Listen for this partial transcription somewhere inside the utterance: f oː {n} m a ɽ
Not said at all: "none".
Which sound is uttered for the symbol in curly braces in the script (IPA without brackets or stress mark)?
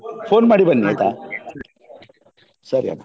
n